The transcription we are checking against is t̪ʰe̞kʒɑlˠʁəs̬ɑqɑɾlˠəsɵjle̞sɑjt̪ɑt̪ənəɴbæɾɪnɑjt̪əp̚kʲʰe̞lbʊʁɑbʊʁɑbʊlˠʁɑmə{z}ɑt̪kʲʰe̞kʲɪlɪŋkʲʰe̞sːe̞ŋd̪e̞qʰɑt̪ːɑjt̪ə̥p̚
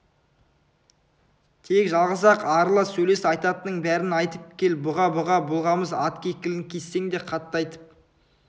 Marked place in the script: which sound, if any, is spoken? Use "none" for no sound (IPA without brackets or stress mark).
z